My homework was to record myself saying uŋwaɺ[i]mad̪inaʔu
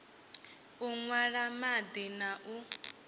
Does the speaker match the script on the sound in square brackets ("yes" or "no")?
no